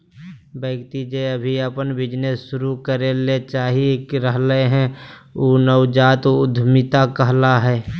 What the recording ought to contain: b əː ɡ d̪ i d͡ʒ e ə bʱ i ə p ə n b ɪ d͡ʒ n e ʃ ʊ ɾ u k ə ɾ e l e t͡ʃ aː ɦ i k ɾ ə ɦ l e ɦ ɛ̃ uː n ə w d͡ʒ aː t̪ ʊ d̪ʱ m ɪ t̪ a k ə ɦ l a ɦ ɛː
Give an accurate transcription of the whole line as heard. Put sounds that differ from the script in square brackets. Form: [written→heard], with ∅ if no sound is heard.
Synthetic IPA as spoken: b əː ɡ [d̪→t̪] i d͡ʒ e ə bʱ i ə p ə n b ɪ d͡ʒ n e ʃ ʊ ɾ u k ə ɾ e l e t͡ʃ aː ɦ i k ɾ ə ɦ l e ɦ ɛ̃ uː n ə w d͡ʒ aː t̪ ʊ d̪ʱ m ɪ t̪ a k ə ɦ l a ɦ ɛː